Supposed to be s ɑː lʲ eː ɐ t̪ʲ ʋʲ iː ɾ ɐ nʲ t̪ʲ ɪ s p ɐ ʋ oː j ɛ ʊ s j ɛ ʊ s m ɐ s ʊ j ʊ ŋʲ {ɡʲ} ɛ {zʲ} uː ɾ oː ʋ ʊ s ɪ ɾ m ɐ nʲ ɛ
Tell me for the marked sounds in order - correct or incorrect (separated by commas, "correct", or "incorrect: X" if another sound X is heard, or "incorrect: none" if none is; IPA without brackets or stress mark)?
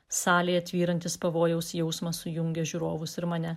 correct, incorrect: ʒʲ